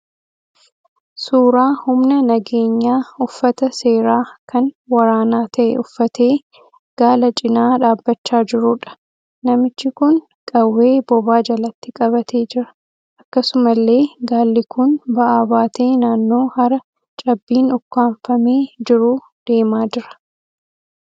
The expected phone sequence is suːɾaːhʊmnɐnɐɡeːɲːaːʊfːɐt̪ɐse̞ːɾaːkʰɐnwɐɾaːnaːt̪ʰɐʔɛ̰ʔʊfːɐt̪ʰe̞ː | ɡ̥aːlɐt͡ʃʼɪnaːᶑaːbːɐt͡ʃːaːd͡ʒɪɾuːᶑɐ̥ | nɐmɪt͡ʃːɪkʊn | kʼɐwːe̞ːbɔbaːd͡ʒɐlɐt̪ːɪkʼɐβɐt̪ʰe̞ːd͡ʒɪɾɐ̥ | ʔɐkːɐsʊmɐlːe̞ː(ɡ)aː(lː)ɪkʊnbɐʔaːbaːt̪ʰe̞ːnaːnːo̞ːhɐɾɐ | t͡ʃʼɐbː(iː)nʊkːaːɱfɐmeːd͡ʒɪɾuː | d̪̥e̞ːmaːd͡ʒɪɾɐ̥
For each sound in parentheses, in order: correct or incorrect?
correct, correct, correct

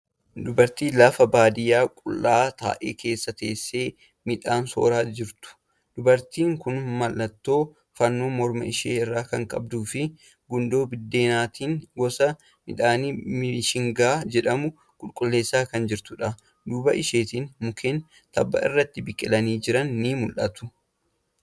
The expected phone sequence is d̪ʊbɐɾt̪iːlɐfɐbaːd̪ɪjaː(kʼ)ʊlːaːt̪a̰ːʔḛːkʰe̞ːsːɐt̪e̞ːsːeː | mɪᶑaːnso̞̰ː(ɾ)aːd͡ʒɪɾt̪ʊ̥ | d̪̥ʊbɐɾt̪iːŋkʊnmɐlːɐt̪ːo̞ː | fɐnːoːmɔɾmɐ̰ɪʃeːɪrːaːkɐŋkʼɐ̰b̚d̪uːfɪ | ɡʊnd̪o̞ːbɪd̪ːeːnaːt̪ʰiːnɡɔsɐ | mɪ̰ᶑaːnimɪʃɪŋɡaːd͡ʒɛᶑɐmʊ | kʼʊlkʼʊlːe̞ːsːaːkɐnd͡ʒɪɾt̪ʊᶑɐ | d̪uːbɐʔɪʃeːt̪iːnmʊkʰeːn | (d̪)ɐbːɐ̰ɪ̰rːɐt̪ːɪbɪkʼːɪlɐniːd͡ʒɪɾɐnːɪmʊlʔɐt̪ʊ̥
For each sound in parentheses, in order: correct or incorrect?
correct, correct, incorrect

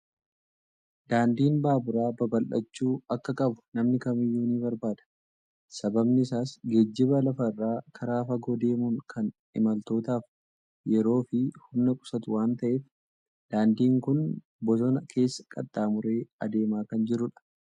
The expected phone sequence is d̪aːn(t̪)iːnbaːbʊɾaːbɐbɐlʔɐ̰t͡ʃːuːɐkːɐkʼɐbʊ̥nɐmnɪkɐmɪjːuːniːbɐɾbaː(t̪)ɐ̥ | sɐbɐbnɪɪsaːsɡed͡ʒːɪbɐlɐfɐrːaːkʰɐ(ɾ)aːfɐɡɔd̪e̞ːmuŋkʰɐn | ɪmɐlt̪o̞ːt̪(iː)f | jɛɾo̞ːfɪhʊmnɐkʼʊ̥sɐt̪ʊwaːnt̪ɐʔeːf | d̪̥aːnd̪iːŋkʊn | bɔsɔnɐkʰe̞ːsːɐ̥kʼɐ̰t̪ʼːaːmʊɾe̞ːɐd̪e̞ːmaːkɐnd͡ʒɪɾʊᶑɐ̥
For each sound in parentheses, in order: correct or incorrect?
incorrect, incorrect, correct, incorrect

